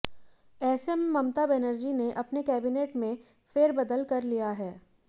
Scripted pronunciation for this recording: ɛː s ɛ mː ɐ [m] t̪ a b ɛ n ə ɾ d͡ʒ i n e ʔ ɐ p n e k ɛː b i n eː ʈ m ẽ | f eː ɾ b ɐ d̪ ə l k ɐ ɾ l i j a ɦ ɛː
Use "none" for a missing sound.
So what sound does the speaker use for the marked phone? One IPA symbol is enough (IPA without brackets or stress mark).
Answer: m